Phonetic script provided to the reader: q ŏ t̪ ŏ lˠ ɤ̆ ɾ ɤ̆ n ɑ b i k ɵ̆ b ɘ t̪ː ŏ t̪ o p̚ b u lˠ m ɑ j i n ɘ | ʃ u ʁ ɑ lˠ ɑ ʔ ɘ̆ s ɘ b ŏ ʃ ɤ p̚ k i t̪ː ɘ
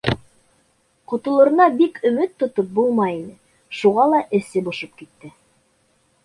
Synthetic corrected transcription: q ŏ t̪ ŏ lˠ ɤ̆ ɾ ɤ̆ n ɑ b i k ɵ̆ m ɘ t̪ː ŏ t̪ o p̚ b u lˠ m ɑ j i n ɘ | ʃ u ʁ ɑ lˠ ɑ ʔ ɘ̆ s ɘ b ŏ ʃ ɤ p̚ k i t̪ː ɘ